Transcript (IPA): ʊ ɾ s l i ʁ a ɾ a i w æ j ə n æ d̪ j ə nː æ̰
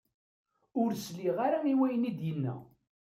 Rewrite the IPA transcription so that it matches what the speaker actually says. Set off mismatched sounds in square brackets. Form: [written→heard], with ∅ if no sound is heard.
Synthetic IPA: ʊ ɾ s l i ʁ a ɾ a i w æ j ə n [æ→i] d̪ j ə nː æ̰